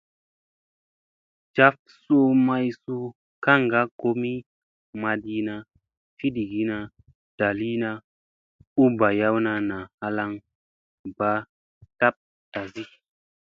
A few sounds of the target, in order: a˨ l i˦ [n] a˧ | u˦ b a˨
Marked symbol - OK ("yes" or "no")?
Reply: yes